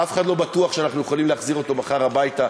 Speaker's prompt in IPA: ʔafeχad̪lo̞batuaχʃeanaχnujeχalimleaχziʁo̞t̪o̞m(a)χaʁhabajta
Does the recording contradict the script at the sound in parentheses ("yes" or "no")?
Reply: no